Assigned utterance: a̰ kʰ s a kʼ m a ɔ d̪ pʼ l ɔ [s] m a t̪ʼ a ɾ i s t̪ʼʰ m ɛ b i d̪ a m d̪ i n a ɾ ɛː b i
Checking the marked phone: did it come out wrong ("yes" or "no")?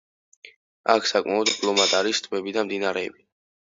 yes